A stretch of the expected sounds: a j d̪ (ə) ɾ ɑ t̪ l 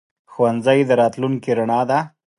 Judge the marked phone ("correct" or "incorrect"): correct